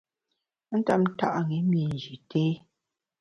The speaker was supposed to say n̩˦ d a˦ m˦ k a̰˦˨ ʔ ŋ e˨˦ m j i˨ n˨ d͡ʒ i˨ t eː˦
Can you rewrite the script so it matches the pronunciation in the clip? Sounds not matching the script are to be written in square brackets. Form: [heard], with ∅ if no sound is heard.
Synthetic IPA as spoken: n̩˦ [t] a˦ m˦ [t] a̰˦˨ ʔ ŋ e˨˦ m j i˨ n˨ d͡ʒ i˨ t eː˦